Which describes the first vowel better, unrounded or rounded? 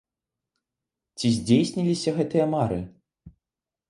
unrounded